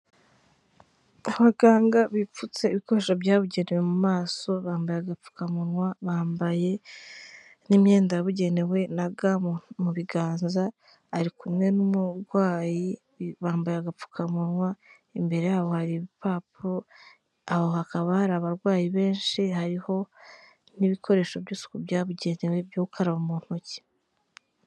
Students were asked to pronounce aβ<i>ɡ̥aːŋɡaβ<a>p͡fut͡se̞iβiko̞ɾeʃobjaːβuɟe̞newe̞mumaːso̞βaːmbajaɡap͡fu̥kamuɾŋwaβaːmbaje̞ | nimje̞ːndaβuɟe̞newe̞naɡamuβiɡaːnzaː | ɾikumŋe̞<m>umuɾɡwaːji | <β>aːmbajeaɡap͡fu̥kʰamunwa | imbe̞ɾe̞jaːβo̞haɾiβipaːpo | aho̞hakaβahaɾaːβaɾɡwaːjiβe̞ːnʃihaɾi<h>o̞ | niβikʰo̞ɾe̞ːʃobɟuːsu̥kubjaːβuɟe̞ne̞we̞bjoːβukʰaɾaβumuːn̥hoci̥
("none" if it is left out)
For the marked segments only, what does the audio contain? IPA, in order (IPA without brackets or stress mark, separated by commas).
a, i, n, β, h